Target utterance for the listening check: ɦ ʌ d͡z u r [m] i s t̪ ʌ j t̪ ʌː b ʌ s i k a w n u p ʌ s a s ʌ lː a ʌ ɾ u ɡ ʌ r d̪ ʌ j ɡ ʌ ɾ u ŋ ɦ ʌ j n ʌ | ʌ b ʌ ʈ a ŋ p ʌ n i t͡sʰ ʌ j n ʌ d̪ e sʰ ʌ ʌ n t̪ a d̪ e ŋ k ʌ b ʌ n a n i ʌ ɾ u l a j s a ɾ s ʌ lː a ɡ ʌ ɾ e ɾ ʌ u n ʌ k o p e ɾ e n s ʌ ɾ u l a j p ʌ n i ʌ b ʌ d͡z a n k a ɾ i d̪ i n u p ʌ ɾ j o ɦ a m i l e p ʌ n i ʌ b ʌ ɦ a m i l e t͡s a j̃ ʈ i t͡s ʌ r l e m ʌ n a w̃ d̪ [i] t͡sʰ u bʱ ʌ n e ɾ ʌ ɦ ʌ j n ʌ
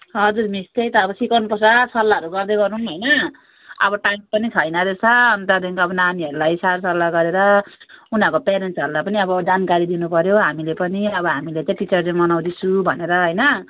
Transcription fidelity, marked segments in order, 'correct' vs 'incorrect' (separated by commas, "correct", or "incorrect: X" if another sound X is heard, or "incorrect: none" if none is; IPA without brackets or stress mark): correct, correct